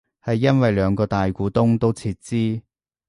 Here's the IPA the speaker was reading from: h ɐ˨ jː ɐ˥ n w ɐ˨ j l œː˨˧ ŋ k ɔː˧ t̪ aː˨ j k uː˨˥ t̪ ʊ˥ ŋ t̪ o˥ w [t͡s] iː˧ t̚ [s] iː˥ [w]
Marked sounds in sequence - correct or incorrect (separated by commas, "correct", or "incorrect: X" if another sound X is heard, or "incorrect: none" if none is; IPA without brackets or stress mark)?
incorrect: t͡sʰ, incorrect: t͡s, incorrect: none